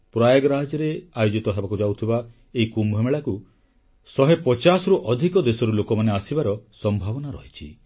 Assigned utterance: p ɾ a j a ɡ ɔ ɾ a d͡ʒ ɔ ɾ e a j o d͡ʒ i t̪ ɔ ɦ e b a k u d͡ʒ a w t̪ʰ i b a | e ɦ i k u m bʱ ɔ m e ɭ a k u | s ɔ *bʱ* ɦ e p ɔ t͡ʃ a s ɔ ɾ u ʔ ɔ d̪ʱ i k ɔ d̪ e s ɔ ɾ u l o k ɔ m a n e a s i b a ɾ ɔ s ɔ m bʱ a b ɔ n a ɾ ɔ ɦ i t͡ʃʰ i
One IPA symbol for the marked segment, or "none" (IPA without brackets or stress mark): none